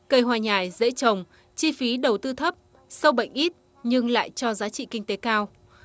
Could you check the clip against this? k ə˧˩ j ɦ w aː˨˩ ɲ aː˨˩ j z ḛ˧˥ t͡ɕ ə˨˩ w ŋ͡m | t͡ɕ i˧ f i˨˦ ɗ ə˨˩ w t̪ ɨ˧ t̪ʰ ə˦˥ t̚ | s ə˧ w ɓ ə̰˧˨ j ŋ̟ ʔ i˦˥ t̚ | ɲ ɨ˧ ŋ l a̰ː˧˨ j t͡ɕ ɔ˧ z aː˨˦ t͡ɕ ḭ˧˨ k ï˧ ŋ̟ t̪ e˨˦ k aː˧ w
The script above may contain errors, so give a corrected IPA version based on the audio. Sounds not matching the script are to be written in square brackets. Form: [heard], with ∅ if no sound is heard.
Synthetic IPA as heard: k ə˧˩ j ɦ w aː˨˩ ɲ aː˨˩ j z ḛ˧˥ t͡ɕ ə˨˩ w ŋ͡m | t͡ɕ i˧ f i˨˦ ɗ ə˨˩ w t̪ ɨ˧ t̪ʰ ə˦˥ [p̚] | s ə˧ w ɓ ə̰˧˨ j ŋ̟ ʔ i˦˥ t̚ | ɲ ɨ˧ ŋ l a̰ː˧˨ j t͡ɕ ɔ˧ z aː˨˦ t͡ɕ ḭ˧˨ k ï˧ ŋ̟ t̪ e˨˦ k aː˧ w